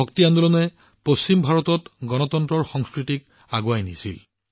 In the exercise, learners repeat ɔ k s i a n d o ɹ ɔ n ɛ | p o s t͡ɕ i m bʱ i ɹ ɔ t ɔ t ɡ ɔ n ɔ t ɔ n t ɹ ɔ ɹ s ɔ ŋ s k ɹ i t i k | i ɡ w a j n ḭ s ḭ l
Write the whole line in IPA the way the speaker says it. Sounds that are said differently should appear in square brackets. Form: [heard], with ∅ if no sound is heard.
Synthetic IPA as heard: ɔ k [t] i a n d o [l] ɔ n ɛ | p o s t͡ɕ i m bʱ [a] ɹ ɔ t ɔ t ɡ ɔ n ɔ t ɔ n t ɹ ɔ ɹ [x] ɔ ŋ s k ɹ i t i k | [a] ɡ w a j n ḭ s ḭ l